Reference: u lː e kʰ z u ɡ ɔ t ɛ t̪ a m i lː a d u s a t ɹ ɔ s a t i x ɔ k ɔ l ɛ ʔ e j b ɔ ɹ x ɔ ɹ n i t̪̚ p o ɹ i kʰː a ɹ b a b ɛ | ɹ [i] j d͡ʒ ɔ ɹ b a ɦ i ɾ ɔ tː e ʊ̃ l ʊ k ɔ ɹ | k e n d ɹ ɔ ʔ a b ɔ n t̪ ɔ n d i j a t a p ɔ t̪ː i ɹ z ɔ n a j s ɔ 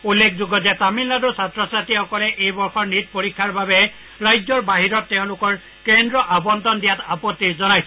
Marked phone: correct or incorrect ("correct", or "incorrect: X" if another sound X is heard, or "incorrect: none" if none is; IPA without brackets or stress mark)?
incorrect: a